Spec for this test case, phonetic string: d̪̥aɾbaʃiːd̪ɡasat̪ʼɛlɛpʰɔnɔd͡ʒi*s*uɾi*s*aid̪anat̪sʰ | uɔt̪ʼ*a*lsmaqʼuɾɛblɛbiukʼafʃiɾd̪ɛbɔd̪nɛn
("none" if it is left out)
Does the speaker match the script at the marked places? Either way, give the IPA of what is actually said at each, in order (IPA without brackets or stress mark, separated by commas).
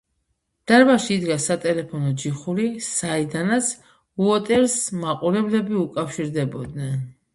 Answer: χ, s, ɛ